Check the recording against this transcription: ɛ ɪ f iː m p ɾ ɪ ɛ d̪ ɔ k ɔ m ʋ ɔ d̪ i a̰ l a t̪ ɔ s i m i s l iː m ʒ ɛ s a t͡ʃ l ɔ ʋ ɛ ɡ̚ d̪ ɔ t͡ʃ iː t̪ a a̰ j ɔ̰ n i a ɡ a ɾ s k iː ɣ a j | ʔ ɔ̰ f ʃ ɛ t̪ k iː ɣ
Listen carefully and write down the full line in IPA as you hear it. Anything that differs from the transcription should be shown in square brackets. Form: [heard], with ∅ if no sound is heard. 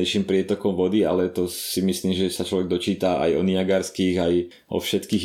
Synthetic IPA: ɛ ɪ [ʃ] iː m p ɾ ɪ ɛ [t̪] ɔ k ɔ m ʋ ɔ d̪ i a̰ l [ɛ] t̪ ɔ s i m i s l iː m ʒ ɛ s a t͡ʃ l ɔ ʋ ɛ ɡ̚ d̪ ɔ t͡ʃ iː t̪ a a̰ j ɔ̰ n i a ɡ a ɾ s k iː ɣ a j | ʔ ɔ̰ f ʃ ɛ t̪ k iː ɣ